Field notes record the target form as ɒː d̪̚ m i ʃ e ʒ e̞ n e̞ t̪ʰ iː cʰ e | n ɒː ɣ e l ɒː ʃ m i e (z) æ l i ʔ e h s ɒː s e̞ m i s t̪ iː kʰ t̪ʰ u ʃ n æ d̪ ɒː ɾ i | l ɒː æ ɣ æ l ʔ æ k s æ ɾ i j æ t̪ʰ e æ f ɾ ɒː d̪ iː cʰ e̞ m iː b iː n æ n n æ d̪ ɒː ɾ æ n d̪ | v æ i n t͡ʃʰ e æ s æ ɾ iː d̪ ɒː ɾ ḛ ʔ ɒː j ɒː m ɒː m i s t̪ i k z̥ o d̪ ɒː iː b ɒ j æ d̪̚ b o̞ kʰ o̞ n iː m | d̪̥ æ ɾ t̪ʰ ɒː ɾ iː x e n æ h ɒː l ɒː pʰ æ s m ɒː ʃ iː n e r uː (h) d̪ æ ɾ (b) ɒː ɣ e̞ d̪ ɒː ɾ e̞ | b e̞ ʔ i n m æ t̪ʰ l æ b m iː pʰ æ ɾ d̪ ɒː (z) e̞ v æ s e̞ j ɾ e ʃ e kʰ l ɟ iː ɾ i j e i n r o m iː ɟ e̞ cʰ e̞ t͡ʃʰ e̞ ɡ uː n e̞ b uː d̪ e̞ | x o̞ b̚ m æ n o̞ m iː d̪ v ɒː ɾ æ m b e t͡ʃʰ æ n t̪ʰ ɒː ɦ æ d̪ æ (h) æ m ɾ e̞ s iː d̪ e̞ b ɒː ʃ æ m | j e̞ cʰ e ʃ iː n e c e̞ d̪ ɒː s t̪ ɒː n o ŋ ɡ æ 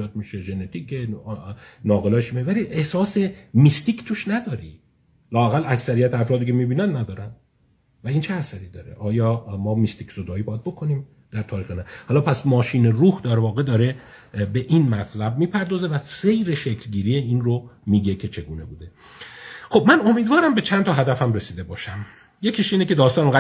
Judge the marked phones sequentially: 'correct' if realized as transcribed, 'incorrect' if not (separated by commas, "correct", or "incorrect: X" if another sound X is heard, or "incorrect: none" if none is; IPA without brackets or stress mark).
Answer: incorrect: v, correct, incorrect: v, correct, incorrect: f